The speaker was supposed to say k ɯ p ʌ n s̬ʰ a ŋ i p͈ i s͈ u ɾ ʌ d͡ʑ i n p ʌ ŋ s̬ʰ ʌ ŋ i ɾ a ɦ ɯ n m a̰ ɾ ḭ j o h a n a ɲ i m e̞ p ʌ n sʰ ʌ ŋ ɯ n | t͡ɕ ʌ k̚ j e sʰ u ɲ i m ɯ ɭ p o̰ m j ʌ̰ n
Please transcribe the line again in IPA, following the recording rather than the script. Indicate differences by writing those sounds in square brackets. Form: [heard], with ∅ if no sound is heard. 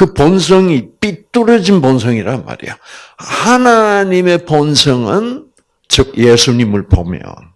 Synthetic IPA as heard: k ɯ p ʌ n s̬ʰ [ʌ] ŋ i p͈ i [t͈] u ɾ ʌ d͡ʑ i n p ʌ [n] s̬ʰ ʌ ŋ i ɾ a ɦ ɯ n m a̰ ɾ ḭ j o h a n a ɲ i m e̞ p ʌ n sʰ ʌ ŋ ɯ n | t͡ɕ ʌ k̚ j e sʰ u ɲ i m ɯ ɭ p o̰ m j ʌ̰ n